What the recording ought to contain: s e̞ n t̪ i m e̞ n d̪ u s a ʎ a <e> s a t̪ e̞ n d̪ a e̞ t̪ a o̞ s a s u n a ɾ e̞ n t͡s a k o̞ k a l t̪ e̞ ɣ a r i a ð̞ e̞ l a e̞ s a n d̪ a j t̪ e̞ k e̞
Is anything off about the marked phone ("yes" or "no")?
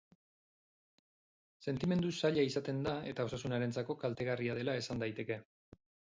yes